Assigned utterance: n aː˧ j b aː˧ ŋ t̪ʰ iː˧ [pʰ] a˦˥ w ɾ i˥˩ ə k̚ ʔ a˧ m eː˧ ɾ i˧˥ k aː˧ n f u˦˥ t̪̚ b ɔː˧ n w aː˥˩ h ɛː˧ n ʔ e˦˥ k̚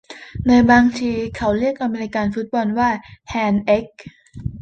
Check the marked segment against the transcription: incorrect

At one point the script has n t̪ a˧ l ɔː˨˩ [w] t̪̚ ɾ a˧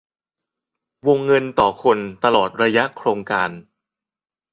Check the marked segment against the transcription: incorrect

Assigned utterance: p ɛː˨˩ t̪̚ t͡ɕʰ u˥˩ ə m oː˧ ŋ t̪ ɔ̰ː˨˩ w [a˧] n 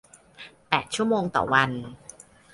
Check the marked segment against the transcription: correct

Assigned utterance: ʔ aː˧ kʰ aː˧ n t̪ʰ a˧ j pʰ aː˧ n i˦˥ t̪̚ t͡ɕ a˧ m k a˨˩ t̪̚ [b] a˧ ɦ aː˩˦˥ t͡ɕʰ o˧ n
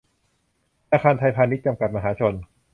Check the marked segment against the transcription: incorrect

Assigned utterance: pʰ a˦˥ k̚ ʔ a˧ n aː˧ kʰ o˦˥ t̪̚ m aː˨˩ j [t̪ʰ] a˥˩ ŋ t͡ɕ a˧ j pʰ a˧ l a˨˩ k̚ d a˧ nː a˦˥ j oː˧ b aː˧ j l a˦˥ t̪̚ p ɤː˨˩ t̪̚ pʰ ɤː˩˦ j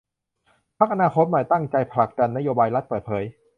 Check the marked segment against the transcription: incorrect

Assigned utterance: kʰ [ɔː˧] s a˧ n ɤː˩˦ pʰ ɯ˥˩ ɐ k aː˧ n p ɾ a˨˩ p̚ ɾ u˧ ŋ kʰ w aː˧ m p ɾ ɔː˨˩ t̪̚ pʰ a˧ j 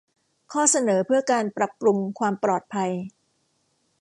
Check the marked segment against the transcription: incorrect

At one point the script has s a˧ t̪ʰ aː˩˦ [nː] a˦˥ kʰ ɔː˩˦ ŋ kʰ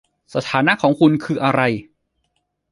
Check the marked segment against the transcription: incorrect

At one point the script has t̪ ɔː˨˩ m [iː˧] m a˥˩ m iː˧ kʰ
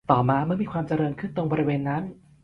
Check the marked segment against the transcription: incorrect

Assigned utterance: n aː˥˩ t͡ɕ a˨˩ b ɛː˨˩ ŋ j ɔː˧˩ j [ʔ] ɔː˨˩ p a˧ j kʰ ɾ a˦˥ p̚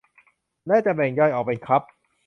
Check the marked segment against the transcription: correct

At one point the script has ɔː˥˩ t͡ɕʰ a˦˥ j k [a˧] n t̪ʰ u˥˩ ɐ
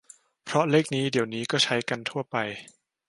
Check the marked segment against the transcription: correct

